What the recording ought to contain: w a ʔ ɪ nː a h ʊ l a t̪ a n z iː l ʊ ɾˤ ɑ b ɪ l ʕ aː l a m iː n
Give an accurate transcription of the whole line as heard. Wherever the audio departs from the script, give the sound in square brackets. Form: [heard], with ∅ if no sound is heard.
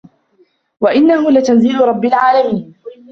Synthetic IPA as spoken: w a ʔ ɪ nː a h ʊ l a t̪ a n z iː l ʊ ɾˤ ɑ [bː] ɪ l ʕ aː l a m iː n